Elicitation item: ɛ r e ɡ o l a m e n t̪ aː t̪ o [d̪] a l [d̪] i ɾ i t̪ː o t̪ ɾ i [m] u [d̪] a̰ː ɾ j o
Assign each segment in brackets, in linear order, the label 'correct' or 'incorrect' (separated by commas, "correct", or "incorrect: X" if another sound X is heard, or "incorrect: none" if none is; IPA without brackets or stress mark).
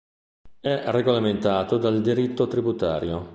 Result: correct, correct, incorrect: b, incorrect: t̪